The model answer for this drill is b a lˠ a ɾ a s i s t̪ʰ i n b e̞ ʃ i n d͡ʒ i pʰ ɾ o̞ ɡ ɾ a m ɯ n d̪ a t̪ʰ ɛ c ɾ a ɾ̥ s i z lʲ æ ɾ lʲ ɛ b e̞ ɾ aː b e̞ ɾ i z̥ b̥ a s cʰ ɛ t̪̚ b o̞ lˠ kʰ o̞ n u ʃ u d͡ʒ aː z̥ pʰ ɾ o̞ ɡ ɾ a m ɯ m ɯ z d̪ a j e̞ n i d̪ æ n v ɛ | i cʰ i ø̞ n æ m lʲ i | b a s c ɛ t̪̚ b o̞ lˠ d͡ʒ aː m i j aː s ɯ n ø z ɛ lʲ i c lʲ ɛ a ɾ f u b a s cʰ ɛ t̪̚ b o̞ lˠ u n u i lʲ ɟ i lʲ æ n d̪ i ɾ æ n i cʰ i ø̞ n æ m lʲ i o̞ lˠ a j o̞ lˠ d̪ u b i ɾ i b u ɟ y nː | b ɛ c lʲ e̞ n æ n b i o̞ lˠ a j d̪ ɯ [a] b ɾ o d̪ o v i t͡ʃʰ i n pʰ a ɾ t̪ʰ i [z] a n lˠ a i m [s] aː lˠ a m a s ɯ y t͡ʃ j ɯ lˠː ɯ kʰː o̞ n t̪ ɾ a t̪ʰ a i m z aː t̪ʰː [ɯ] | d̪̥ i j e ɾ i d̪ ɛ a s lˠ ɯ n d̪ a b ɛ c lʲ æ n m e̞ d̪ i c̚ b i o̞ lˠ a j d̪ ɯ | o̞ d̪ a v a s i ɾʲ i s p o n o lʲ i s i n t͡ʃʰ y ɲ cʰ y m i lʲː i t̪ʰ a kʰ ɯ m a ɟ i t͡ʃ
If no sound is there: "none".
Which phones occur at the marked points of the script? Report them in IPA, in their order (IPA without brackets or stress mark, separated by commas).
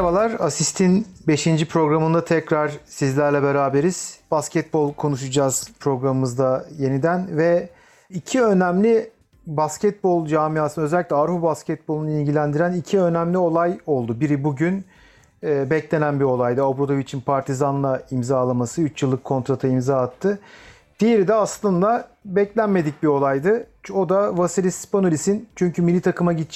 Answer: a, z, z, ɯ